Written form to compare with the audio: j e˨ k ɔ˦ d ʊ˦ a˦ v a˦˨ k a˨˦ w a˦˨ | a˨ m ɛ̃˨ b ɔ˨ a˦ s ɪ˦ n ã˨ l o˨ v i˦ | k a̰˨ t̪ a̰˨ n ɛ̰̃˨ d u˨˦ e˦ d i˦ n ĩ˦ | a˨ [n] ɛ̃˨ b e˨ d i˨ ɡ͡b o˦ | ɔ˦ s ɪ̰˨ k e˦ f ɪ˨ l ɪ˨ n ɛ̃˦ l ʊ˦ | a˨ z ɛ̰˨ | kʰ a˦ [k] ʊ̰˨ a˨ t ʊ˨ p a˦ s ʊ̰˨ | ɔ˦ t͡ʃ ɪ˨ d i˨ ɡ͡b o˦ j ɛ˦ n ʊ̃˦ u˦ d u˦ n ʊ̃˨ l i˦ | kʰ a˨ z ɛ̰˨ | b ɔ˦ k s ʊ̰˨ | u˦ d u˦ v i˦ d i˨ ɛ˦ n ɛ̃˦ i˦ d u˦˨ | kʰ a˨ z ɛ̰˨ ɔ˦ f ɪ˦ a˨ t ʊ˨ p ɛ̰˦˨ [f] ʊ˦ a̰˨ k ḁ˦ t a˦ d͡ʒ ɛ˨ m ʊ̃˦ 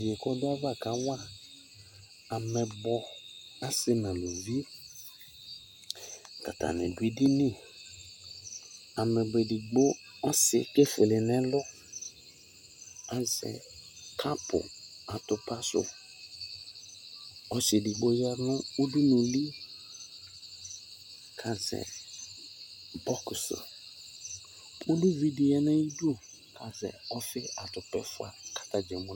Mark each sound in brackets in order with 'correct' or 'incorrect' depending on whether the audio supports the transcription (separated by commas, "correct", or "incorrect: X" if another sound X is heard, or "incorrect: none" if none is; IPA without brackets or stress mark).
incorrect: m, incorrect: p, correct